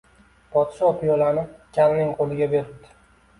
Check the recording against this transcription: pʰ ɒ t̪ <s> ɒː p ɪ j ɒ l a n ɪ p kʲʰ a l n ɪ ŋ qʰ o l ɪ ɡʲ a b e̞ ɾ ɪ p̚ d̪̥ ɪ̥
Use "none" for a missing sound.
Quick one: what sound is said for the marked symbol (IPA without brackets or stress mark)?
ʃ